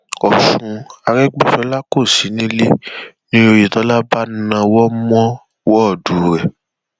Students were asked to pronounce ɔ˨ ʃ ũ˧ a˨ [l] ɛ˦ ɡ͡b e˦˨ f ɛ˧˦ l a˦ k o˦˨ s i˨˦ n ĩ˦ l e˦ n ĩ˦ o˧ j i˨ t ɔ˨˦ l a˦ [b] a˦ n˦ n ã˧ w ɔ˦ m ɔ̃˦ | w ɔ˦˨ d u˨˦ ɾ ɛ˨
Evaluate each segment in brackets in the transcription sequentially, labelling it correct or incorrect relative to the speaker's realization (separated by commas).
incorrect, correct